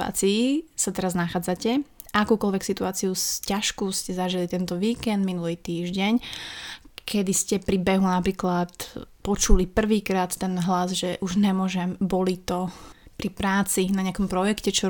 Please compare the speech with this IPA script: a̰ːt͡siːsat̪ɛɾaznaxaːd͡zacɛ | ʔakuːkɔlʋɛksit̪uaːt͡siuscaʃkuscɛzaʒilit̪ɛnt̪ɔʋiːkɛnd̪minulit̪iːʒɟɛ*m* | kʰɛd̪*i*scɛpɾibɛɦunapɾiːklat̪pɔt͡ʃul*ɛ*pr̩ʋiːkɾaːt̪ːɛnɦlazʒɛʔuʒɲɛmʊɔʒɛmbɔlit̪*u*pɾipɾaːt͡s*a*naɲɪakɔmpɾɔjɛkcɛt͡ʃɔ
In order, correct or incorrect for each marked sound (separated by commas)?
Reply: incorrect, correct, incorrect, incorrect, incorrect